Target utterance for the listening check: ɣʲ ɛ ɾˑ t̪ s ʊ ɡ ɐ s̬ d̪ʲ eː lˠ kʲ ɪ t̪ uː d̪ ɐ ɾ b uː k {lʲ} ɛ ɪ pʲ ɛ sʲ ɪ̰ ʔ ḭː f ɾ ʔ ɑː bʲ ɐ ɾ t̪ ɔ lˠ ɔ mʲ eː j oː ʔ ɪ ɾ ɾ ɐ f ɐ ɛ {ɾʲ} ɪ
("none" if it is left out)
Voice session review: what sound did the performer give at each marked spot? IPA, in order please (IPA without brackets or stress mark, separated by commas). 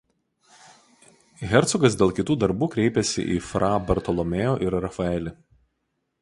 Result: ɾʲ, lʲ